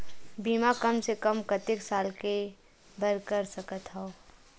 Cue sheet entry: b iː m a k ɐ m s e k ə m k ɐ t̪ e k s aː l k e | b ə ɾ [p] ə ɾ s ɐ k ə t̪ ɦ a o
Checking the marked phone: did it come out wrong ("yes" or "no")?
yes